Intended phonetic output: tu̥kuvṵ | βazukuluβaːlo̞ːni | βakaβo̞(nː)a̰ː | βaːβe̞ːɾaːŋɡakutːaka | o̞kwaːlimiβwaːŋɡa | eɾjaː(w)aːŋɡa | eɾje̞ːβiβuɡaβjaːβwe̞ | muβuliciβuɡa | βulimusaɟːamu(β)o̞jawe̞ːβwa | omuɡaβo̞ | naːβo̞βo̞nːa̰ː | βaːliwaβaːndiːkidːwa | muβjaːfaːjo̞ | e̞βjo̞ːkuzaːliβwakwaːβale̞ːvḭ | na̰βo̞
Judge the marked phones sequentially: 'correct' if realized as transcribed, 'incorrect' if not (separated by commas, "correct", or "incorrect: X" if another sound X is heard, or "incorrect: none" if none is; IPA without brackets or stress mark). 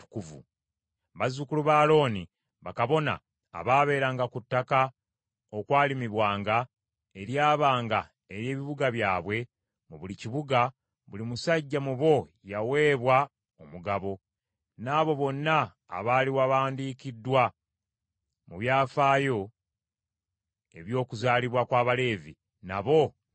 incorrect: n, incorrect: β, correct